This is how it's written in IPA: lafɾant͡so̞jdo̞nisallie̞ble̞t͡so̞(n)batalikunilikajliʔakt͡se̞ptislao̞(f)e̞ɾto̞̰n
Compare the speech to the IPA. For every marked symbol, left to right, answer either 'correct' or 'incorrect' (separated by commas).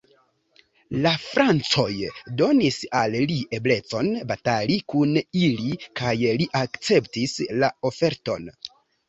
correct, correct